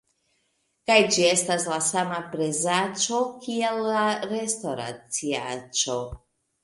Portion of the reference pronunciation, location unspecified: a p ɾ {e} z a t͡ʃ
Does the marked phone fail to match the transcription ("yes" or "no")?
no